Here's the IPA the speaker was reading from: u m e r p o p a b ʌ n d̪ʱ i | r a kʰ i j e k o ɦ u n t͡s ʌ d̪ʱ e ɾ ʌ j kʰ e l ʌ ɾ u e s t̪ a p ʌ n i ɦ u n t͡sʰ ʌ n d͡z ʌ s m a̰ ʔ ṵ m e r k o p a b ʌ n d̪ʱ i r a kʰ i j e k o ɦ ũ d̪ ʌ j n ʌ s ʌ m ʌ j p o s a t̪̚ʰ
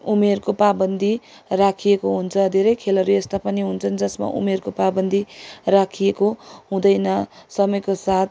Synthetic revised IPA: u m e r k o p a b ʌ n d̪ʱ i | r a kʰ i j e k o ɦ u n t͡sʰ ʌ d̪ʱ e ɾ ʌ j kʰ e l ʌ ɾ u e s t̪ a p ʌ n i ɦ u n t͡sʰ ʌ n d͡z ʌ s m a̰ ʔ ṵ m e r k o p a b ʌ n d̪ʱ i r a kʰ i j e k o ɦ ũ d̪ ʌ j n ʌ s ʌ m ʌ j k o s a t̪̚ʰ